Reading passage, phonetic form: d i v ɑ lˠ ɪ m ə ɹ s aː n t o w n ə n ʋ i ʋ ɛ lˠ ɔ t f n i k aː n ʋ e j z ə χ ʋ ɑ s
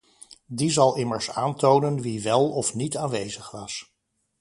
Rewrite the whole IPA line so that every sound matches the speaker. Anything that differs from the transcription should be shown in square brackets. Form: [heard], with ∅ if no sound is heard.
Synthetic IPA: d i [z] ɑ lˠ ɪ m ə ɹ s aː n t o w n ə n ʋ i ʋ ɛ lˠ ɔ [∅] f n i [t] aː n ʋ e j z ə χ ʋ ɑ s